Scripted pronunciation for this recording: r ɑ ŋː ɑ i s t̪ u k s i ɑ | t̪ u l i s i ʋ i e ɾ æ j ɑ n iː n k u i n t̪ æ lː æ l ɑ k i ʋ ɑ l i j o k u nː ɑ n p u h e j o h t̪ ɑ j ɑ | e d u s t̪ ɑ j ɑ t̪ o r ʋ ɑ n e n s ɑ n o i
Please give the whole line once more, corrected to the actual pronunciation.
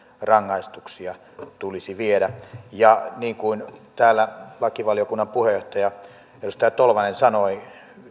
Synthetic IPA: r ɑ ŋː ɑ i s t̪ u k s i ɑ | t̪ u l i s i ʋ i e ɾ æ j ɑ n iː ŋ k u i n t̪ æː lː æ l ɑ k i ʋ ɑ l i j o k u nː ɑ m p u h e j o h t̪ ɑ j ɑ | e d u s t̪ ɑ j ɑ t̪ o l ʋ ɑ n e n s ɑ n o i